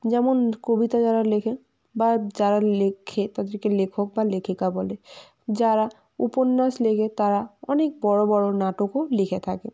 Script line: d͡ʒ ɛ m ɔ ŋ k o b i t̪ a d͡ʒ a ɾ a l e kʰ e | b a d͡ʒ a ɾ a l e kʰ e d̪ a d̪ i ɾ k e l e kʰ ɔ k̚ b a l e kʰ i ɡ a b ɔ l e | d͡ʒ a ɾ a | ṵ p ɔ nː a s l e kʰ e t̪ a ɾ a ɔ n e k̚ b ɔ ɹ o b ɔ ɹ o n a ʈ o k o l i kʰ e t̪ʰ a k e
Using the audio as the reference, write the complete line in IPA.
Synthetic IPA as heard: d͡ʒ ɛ m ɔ n k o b i t̪ a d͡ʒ a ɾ a l e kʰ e | b a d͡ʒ a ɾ a l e kʰ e t̪ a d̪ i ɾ k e l e kʰ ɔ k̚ b a l e kʰ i k a b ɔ l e | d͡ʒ a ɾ a | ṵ p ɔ nː a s l e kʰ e t̪ a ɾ a ɔ n e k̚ b ɔ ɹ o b ɔ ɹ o n a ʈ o k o l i kʰ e t̪ʰ a k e